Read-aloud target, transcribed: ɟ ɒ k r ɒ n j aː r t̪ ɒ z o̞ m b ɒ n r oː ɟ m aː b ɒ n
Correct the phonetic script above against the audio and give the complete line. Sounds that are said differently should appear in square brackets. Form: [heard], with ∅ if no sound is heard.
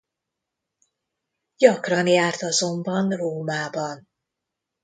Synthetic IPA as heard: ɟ ɒ k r ɒ n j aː r t̪ ɒ z o̞ m b ɒ n r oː [∅] m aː b ɒ n